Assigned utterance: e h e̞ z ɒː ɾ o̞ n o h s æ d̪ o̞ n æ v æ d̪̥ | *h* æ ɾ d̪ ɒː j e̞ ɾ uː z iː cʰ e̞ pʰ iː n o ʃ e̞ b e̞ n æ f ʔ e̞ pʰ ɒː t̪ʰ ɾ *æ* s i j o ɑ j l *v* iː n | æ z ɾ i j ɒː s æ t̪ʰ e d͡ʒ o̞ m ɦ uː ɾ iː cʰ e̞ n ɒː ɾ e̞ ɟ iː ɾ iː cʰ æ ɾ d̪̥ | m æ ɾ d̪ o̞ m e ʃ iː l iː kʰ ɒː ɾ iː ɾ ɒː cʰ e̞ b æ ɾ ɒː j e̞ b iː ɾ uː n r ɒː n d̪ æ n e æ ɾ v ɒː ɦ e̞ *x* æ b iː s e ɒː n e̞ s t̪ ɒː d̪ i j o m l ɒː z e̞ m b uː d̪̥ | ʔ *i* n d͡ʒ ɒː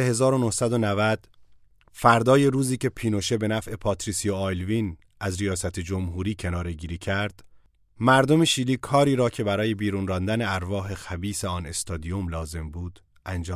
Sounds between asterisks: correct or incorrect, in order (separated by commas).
incorrect, incorrect, correct, correct, incorrect